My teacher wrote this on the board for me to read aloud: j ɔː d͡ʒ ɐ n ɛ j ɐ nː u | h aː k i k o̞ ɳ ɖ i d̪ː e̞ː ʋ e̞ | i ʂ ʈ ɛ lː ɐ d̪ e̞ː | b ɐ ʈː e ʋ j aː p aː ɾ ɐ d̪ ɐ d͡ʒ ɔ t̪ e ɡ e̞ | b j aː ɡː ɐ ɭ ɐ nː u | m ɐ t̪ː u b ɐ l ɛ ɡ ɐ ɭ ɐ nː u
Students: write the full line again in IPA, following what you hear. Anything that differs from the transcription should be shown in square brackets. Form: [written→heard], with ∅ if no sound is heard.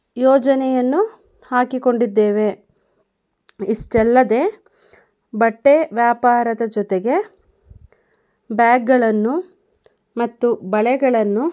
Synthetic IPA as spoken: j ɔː d͡ʒ ɐ n ɛ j ɐ nː u | h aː k i k o̞ ɳ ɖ i d̪ː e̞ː ʋ e̞ | i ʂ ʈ ɛ lː ɐ d̪ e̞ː | b ɐ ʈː e ʋ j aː p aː ɾ ɐ d̪ ɐ d͡ʒ ɔ t̪ e ɡ e̞ | b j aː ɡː ɐ ɭ ɐ nː u | m ɐ t̪ː u b ɐ [l→ɭ] ɛ ɡ ɐ ɭ ɐ nː u